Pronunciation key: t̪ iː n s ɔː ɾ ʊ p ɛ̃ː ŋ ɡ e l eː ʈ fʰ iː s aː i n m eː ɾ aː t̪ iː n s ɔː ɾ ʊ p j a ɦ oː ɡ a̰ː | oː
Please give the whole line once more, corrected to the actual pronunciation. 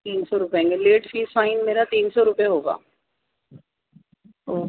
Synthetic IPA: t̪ iː n s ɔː ɾ ʊ p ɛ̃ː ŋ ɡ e l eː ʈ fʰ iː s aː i n m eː ɾ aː t̪ iː n s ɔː ɾ ʊ p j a ɦ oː ɡ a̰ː | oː